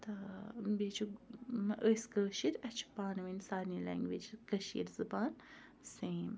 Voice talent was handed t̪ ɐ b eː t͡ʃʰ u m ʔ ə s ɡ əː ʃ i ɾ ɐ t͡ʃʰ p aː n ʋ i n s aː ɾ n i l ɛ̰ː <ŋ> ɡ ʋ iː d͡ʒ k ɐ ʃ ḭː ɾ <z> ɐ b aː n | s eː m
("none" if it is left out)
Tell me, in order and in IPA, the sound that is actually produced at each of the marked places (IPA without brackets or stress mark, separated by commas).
ŋ, z